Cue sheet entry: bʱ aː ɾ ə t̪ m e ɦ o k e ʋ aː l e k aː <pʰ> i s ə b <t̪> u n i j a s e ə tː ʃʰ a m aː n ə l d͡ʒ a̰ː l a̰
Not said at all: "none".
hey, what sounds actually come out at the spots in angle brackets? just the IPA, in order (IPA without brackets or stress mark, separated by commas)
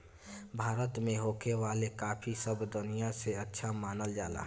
pʰ, d̪